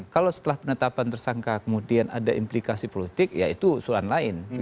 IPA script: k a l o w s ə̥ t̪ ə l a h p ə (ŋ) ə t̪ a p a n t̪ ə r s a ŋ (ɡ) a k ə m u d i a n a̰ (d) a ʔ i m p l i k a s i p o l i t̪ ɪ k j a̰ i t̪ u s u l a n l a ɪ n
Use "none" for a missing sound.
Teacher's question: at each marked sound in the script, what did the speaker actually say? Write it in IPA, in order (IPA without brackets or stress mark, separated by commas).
n, k, d